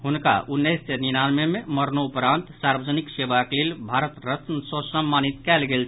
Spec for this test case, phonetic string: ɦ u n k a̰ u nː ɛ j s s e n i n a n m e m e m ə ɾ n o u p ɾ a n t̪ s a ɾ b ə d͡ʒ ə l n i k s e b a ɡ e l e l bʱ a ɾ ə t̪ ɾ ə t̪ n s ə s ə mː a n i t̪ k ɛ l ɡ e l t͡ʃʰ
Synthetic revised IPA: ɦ u n k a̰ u nː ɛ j s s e n i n a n m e m e m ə ɾ n o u p ɾ a n t̪ s a ɾ b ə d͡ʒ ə n i k s e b a k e l e l bʱ a ɾ ə t̪ ɾ ə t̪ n s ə s ə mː a n i t̪ k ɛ l ɡ e l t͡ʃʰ